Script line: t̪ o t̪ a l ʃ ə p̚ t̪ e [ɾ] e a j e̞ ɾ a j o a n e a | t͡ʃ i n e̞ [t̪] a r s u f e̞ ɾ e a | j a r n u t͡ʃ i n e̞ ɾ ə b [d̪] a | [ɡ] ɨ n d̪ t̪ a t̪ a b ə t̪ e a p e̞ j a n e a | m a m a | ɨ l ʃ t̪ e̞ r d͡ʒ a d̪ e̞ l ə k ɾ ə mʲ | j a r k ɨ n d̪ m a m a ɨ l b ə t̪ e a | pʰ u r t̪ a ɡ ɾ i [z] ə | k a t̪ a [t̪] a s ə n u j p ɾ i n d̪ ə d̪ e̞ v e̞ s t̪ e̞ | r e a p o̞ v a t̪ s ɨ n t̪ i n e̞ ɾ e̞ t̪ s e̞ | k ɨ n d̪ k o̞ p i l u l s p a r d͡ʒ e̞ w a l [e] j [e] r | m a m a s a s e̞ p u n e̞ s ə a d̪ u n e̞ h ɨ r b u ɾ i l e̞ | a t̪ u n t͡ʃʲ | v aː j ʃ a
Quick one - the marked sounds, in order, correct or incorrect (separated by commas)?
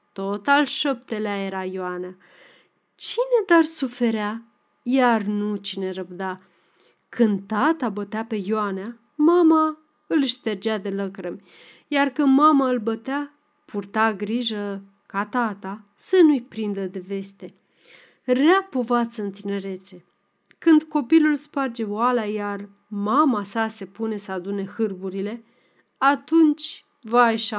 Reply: incorrect, incorrect, correct, incorrect, incorrect, correct, incorrect, incorrect